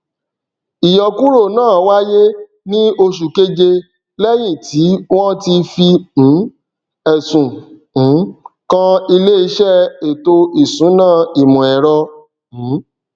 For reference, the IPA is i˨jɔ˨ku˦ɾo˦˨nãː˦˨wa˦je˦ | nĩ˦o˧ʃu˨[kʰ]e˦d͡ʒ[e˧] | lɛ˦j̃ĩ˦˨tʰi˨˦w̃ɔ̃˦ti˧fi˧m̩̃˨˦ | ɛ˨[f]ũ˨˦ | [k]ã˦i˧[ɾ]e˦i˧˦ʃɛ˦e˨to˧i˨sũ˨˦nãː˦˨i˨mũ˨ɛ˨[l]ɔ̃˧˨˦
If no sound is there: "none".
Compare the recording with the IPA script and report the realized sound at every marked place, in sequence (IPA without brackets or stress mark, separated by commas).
k, e˧, s, k, l, ɾ